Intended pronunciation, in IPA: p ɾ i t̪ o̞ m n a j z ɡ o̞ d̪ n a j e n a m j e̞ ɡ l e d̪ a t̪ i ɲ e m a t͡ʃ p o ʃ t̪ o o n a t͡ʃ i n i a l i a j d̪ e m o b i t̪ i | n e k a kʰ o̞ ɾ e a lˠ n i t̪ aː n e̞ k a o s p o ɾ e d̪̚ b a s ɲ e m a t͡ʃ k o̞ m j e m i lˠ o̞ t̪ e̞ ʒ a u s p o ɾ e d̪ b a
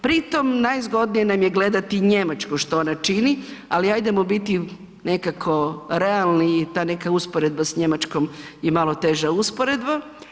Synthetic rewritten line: p ɾ i t̪ o̞ m n a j z ɡ o̞ d̪ n i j e n a m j e̞ ɡ l e d̪ a t̪ i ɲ e m a t͡ʃ k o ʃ t̪ o o n a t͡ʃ i n i a l i a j d̪ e m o b i t̪ i | n e k a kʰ o̞ ɾ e a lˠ n i t̪ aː n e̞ k a u s p o ɾ e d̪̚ b a s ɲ e m a t͡ʃ k o̞ m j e m a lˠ o̞ t̪ e̞ ʒ a u s p o ɾ e d̪ b a